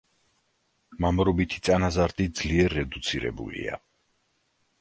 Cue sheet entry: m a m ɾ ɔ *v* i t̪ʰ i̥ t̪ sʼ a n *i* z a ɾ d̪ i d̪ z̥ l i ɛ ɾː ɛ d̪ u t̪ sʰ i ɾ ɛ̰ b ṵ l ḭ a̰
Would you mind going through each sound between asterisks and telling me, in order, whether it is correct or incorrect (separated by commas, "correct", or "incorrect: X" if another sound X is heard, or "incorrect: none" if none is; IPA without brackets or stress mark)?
incorrect: b, incorrect: a